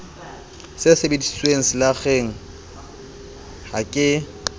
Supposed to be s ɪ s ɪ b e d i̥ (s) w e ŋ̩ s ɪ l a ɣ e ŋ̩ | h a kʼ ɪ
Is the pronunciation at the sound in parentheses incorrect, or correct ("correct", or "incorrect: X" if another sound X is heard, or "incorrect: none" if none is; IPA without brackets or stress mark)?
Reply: correct